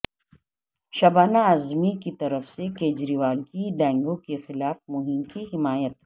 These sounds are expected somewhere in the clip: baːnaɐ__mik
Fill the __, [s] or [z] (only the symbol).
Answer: z